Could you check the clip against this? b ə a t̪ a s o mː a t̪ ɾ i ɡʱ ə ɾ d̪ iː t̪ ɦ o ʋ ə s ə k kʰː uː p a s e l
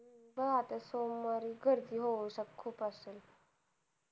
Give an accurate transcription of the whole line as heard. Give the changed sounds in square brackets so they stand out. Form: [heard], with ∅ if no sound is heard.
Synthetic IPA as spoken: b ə a t̪ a s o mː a [∅] ɾ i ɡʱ ə ɾ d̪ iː [∅] ɦ o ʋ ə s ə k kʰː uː p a s e l